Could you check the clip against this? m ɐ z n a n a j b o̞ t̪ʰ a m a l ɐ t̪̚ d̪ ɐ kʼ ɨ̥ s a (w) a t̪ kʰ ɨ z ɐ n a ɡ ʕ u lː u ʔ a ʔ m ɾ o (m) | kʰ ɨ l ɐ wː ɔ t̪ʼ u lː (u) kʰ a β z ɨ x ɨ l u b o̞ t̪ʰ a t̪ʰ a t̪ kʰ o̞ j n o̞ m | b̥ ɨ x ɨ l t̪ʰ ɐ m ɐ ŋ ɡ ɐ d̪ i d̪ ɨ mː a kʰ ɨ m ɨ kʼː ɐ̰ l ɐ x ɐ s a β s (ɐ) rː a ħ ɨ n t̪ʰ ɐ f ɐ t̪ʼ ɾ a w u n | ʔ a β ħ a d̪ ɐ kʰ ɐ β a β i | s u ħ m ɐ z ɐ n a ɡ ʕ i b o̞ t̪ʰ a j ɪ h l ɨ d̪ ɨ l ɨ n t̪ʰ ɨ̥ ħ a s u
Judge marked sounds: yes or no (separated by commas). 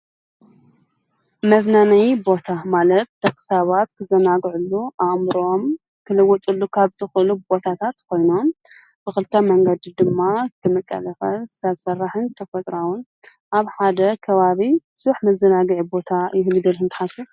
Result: no, yes, yes, yes